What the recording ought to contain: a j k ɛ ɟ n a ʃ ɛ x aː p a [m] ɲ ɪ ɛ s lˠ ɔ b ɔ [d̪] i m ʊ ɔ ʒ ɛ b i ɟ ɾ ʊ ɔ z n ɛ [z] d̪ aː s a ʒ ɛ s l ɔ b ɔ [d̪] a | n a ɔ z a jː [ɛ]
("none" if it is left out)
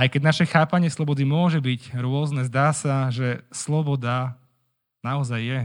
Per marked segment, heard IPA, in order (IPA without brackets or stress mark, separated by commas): none, d̪, z, d̪, ɛ